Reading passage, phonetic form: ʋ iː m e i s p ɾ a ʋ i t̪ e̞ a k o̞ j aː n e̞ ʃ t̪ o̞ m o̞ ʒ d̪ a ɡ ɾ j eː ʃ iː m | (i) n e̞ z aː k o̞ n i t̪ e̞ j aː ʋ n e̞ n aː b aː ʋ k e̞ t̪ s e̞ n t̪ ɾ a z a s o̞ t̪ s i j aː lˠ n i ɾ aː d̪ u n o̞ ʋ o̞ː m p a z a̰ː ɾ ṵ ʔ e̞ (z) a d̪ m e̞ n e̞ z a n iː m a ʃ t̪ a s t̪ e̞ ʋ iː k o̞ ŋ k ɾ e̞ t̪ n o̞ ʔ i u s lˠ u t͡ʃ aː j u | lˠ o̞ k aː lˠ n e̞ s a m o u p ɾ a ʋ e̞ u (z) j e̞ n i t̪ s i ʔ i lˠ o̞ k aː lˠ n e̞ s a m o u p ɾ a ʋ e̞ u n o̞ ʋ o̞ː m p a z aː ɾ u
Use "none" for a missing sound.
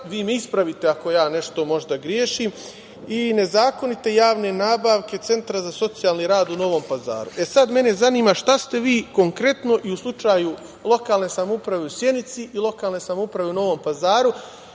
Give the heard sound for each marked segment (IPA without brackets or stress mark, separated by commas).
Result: i, s, s